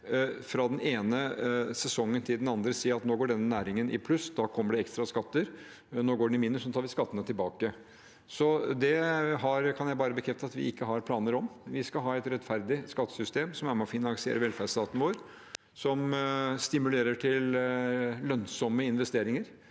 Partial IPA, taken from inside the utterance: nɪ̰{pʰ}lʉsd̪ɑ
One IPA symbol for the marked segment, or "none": pʰ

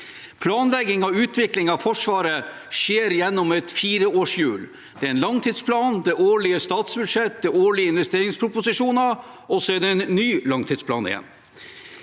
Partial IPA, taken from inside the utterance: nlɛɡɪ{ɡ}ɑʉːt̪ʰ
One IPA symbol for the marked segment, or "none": ŋ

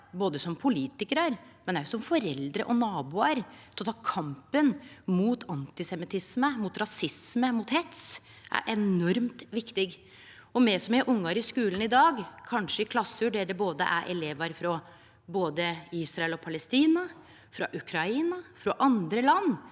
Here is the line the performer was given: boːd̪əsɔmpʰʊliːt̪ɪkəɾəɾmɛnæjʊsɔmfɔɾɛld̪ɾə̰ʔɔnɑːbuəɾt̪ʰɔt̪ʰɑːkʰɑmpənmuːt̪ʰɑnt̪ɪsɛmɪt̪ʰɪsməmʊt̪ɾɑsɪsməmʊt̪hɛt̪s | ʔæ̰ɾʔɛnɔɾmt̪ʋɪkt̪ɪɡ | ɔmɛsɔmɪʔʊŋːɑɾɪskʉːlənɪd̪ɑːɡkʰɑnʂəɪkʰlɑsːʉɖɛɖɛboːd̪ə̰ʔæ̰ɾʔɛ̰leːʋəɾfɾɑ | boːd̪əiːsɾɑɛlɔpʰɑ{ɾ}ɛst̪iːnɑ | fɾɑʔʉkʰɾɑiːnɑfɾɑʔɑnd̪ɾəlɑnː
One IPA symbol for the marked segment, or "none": l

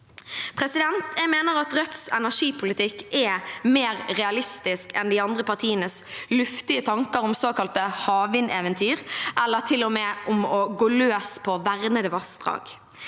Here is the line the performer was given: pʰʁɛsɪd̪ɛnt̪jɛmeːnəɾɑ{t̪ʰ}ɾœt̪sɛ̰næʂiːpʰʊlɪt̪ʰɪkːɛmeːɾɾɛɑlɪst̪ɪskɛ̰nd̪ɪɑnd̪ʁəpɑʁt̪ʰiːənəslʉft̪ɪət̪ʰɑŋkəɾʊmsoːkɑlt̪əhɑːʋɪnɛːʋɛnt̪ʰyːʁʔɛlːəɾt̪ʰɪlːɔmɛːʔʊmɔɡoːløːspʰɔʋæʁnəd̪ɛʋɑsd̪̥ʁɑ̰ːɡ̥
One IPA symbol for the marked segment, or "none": t̪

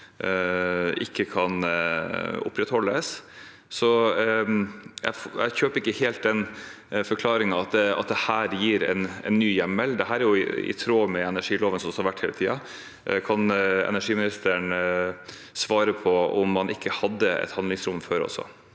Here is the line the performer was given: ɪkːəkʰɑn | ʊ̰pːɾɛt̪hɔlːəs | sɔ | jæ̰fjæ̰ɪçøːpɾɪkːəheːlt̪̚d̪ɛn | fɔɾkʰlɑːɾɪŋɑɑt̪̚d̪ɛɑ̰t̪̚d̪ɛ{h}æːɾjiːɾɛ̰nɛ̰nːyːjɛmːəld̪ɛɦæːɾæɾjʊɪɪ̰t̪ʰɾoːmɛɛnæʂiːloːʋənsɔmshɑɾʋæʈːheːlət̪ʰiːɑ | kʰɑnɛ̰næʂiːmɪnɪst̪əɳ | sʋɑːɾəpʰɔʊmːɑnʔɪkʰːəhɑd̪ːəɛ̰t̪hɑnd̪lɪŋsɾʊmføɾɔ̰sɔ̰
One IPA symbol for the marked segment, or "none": h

